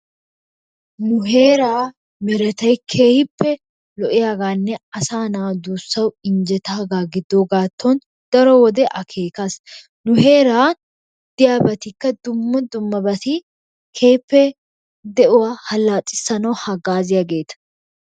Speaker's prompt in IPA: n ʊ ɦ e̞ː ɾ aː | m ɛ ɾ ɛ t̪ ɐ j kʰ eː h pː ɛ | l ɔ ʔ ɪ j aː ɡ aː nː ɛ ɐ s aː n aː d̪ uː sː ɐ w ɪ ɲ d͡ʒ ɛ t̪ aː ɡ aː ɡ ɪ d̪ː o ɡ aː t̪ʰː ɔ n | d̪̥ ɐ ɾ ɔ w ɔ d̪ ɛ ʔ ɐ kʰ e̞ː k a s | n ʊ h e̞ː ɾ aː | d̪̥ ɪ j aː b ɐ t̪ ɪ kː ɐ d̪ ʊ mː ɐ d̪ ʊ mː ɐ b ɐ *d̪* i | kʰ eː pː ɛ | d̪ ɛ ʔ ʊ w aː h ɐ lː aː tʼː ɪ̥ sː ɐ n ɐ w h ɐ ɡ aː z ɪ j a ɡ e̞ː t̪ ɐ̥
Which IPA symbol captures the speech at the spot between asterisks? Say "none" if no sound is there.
t̪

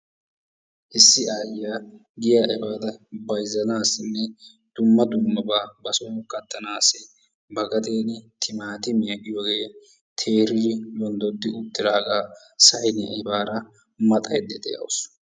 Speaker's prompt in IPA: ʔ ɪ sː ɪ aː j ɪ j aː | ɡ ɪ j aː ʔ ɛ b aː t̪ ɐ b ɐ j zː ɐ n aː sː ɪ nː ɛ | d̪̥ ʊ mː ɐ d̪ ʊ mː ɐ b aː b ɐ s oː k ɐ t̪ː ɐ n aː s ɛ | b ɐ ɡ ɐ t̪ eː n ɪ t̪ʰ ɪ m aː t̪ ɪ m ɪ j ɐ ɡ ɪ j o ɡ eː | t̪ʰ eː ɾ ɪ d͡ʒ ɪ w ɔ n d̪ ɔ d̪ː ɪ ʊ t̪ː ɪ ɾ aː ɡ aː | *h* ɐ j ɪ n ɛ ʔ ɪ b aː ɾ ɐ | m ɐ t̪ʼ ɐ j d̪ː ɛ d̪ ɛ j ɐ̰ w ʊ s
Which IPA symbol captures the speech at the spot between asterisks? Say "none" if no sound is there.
s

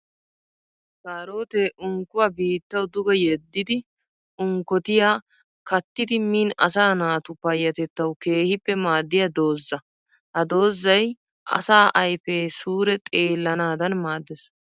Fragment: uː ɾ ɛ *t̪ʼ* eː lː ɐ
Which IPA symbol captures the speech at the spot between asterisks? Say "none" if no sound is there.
t̪ʼ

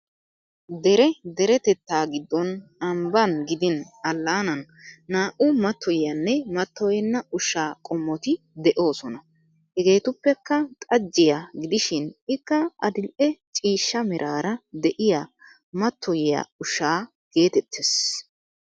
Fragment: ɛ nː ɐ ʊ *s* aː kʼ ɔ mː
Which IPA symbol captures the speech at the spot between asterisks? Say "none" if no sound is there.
ʃ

